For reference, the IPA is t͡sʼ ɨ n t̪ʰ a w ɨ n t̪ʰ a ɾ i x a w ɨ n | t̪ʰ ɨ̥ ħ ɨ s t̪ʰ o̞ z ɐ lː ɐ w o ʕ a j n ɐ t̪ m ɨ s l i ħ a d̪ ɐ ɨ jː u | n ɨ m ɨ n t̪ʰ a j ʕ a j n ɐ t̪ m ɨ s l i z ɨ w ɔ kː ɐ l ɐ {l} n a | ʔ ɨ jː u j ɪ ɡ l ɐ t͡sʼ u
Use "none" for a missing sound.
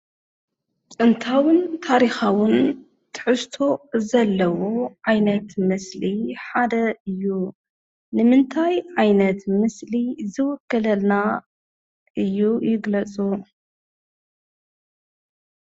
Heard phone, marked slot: l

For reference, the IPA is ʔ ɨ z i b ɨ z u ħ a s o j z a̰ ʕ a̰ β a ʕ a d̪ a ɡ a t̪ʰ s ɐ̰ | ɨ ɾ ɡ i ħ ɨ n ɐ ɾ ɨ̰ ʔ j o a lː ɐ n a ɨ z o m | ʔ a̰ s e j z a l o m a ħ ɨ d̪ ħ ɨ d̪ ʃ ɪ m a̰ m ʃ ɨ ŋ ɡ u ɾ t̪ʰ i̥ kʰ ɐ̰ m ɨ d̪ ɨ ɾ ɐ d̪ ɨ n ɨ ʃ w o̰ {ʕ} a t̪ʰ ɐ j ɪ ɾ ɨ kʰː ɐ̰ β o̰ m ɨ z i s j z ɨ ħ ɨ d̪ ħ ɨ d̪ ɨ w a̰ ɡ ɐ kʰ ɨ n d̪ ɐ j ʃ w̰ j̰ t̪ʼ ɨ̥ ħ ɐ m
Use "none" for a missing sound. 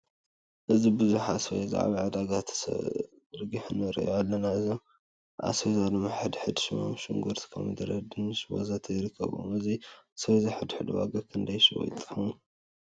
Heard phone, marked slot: z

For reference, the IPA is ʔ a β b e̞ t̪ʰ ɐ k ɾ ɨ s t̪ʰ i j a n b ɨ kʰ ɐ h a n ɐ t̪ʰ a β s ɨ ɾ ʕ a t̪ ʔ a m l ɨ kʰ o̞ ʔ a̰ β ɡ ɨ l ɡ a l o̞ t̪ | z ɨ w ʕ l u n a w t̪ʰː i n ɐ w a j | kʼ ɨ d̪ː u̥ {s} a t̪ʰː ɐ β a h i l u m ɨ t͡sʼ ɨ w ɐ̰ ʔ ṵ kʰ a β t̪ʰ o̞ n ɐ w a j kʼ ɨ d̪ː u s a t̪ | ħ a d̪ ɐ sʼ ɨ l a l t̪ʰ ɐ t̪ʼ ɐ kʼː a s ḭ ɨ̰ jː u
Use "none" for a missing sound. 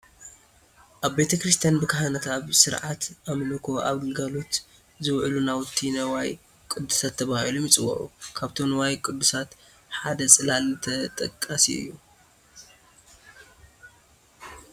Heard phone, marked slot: s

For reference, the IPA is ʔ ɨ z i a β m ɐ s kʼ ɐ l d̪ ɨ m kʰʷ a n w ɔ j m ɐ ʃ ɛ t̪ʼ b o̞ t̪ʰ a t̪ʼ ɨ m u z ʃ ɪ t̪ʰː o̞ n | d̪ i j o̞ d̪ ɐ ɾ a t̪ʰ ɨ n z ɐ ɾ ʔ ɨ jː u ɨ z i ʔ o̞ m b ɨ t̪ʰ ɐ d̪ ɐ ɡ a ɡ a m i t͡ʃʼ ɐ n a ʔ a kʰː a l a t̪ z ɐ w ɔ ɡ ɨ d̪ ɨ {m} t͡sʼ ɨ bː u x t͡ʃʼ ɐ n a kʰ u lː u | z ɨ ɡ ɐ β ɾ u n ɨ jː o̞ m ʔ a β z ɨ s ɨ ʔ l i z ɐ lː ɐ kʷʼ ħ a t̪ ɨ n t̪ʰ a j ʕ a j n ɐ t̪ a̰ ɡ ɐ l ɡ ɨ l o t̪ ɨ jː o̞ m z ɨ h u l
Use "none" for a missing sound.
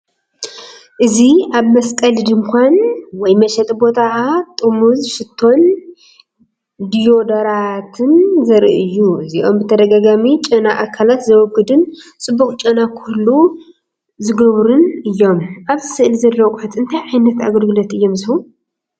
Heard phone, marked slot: n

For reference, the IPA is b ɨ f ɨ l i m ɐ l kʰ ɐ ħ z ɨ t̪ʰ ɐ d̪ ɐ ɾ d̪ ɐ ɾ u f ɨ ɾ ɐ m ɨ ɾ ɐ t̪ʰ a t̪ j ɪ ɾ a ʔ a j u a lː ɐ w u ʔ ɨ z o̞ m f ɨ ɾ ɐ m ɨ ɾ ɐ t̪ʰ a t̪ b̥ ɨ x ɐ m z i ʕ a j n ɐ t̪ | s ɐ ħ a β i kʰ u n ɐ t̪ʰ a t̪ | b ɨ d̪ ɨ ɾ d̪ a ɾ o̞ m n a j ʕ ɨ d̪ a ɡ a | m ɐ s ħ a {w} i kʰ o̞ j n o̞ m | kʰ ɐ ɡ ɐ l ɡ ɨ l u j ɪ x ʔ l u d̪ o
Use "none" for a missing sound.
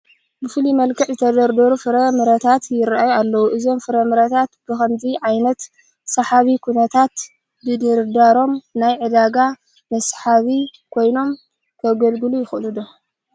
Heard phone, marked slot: β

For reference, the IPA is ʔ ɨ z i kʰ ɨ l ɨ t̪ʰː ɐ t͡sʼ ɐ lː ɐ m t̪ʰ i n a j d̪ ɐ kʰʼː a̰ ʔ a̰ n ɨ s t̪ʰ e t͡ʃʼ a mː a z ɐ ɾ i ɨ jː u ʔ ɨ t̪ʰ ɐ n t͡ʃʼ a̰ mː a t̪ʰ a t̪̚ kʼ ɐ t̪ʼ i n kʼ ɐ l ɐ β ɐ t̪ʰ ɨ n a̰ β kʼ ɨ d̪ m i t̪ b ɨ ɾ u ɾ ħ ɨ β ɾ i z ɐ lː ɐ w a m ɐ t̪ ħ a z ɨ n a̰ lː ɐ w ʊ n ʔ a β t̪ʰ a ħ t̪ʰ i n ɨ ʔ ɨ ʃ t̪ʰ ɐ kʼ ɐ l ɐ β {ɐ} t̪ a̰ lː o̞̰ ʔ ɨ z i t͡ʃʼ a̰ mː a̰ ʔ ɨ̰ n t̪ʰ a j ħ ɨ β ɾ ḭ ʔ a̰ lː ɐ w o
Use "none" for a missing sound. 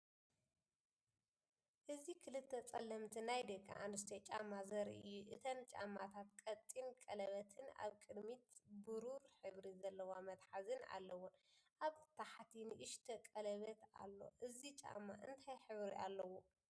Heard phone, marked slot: ɐ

